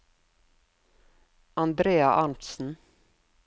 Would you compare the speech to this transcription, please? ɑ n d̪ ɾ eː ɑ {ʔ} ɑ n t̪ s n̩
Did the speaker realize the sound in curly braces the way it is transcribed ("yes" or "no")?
yes